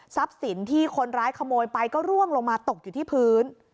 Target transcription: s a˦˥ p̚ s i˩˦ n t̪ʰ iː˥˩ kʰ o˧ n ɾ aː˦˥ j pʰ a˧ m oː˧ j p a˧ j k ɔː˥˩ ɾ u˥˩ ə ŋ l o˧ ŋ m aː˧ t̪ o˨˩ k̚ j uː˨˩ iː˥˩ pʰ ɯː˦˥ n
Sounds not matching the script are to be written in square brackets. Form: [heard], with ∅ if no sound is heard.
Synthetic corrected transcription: s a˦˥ p̚ s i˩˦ n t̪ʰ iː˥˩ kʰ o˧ n ɾ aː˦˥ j [kʰ] a˧ m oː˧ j p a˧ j k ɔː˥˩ ɾ u˥˩ ə ŋ l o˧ ŋ m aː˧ t̪ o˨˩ k̚ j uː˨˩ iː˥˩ pʰ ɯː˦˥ n